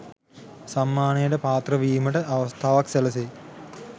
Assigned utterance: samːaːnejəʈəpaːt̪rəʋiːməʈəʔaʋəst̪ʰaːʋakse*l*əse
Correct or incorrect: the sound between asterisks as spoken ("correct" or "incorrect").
correct